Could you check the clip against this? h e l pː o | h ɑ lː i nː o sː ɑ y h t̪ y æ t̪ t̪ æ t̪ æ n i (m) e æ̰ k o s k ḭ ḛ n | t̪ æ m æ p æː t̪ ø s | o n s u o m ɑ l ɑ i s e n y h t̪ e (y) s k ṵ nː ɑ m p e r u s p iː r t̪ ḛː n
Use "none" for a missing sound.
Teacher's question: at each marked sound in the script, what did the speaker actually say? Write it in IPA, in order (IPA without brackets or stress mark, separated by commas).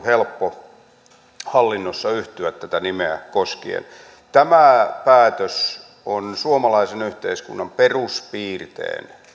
m, i